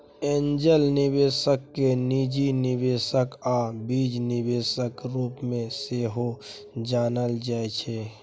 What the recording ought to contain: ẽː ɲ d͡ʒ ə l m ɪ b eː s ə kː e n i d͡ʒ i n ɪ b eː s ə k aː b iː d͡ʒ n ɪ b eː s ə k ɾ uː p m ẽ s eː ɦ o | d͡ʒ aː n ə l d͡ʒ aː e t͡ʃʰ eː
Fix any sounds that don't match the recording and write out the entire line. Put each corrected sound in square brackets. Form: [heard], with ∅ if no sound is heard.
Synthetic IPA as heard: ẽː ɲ d͡ʒ ə l [n] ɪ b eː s ə kː e n i d͡ʒ i n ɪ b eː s ə k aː b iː d͡ʒ n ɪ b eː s ə k ɾ uː p m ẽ s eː ɦ o | d͡ʒ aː n ə l d͡ʒ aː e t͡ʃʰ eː